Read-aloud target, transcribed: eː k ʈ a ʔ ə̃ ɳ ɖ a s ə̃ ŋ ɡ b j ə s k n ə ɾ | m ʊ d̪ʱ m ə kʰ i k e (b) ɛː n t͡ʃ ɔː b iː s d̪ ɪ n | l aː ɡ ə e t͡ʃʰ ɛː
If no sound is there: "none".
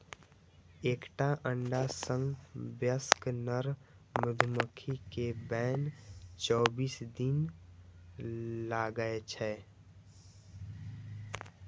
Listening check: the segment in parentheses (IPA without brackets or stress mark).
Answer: b